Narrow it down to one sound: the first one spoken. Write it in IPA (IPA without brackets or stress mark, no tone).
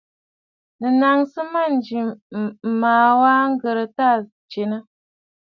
n